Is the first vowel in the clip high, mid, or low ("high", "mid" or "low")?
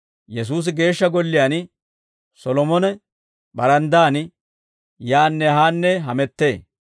mid